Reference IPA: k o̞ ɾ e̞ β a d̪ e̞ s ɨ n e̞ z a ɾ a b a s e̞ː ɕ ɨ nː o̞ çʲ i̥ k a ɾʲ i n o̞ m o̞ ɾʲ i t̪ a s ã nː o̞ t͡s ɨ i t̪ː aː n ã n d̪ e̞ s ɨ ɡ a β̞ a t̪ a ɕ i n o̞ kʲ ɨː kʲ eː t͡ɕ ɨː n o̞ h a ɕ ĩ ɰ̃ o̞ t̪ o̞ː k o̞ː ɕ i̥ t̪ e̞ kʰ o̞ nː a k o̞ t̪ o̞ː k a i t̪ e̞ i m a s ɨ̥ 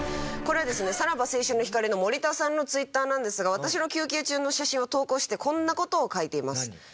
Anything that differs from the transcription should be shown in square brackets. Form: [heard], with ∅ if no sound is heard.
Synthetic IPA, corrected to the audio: k o̞ ɾ e̞ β a d̪ e̞ s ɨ n e̞ [s] a ɾ a b a s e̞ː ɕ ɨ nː o̞ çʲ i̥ k a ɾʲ i n o̞ m o̞ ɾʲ i t̪ a s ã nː o̞ t͡s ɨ i t̪ː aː n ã n d̪ e̞ s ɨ ɡ a β̞ a t̪ a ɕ i n o̞ kʲ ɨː kʲ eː t͡ɕ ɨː n o̞ [ɕ] a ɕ ĩ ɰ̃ o̞ t̪ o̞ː k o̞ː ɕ i̥ t̪ e̞ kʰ [õ̞] nː a k o̞ t̪ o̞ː k a i t̪ e̞ i m a s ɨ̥